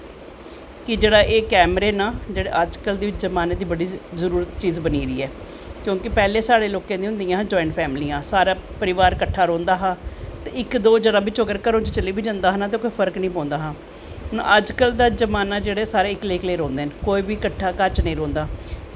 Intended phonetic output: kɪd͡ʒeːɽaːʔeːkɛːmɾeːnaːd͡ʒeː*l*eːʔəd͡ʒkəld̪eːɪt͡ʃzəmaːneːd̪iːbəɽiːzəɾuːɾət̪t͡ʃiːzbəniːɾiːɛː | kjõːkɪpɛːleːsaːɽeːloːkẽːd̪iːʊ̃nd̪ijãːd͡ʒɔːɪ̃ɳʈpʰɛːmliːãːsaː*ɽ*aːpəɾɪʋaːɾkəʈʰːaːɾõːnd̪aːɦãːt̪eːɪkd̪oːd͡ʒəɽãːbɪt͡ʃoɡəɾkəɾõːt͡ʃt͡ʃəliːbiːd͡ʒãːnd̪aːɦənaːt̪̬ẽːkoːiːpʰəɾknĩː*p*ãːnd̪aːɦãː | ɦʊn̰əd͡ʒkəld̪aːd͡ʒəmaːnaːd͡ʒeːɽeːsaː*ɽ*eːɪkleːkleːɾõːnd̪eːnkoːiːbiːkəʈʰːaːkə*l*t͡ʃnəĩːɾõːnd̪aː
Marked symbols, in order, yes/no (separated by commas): no, no, yes, no, no